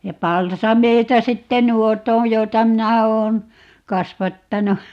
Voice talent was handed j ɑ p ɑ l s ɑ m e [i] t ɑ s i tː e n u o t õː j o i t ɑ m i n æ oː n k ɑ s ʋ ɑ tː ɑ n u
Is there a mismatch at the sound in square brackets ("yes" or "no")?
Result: no